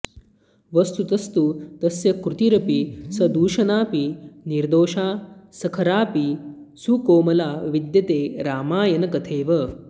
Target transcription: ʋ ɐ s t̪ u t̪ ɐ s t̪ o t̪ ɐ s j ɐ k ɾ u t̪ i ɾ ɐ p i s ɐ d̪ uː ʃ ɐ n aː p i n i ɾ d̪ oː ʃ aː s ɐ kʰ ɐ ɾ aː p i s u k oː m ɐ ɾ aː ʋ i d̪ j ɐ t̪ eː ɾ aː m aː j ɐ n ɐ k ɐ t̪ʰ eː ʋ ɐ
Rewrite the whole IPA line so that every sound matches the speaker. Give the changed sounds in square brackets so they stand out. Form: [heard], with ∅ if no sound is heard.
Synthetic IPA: ʋ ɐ s t̪ u t̪ ɐ s t̪ [u] t̪ ɐ s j ɐ k ɾ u t̪ i ɾ ɐ p i s ɐ d̪ uː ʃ ɐ n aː p i n i ɾ d̪ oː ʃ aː s ɐ kʰ ɐ ɾ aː p i s u k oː m ɐ [l] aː ʋ i d̪ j ɐ t̪ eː ɾ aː m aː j ɐ n ɐ k ɐ t̪ʰ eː ʋ ɐ